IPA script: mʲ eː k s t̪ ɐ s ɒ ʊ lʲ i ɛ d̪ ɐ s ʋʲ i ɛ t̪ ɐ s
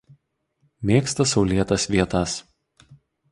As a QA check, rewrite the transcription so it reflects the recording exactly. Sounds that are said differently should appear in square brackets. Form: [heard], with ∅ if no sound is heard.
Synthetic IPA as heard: mʲ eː k s t̪ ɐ s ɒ ʊ lʲ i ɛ [t̪] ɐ s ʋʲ i ɛ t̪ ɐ s